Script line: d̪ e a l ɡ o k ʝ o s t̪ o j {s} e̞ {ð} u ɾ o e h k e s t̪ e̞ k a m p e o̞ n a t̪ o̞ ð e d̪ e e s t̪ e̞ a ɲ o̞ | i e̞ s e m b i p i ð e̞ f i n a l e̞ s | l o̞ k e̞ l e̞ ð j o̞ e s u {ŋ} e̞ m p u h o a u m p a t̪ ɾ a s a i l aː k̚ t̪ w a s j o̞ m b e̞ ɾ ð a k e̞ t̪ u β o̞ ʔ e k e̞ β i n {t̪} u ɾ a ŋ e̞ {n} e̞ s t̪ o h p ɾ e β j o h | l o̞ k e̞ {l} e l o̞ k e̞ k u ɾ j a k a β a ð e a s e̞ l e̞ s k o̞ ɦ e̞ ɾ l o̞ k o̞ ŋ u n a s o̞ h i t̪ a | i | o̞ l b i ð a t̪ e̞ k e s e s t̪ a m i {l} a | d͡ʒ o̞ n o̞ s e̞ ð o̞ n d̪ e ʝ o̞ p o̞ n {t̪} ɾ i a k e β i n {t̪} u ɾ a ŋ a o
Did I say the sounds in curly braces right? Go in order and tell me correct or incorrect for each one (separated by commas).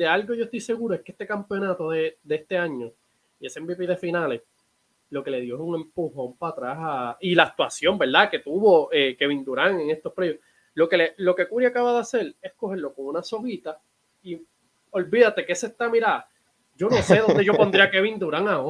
correct, incorrect, correct, incorrect, incorrect, correct, incorrect, incorrect, incorrect